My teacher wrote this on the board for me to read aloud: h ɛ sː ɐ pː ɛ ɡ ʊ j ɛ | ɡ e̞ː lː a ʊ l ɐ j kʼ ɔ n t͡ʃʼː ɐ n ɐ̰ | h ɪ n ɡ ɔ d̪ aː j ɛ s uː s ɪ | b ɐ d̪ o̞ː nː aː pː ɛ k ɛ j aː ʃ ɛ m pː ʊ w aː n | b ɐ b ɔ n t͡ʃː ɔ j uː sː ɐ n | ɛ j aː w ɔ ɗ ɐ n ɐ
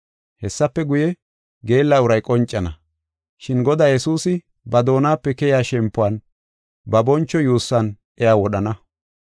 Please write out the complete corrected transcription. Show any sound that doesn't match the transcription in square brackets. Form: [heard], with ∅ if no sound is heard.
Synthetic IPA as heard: h ɛ sː ɐ pː ɛ ɡ ʊ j ɛ | ɡ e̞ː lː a ʊ [ɾ] ɐ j kʼ ɔ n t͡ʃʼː ɐ n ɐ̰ | [ʃ] ɪ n ɡ ɔ d̪ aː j ɛ s uː s ɪ | b ɐ d̪ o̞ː [n] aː pː ɛ k ɛ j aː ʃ ɛ m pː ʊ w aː n | b ɐ b ɔ n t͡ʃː ɔ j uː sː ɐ n | ɛ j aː w ɔ ɗ ɐ n ɐ